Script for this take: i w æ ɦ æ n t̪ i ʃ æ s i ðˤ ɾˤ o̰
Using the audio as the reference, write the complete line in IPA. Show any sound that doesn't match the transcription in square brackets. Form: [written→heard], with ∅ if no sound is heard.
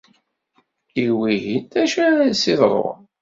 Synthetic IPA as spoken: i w [æ→i] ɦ [æ→i] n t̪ [i→æ] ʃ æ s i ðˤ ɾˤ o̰